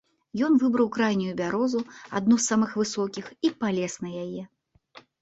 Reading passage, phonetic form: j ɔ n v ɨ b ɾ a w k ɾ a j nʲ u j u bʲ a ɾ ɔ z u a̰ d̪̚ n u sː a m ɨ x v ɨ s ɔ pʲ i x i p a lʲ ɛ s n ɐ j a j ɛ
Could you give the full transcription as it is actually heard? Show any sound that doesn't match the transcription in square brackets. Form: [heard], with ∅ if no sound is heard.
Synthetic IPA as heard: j ɔ n v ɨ b ɾ [ɐ] w k ɾ a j nʲ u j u bʲ a ɾ ɔ z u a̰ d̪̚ n u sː a m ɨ x v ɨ s ɔ [kʲ] i x i p a lʲ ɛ s n ɐ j a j ɛ